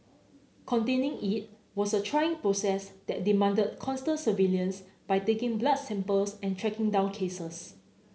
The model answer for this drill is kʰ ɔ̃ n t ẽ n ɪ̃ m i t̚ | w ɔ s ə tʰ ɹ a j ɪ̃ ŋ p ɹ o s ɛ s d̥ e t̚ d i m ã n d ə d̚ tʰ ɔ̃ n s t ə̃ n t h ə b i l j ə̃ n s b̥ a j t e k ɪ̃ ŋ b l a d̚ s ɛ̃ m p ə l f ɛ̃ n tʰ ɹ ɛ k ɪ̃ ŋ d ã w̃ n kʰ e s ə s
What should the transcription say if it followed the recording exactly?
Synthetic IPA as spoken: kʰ ɔ̃ n t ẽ n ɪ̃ ŋ i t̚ | w ɔ s ə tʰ ɹ a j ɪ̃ ŋ p ɹ o s ɛ s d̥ ɛ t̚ d i m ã n d ə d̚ kʰ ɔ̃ n s t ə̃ n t s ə v i l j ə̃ n s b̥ a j t e k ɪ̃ ŋ b l a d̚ s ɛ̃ m p ə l s ɛ̃ n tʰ ɹ ɛ k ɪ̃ ŋ d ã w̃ n kʰ e s ə s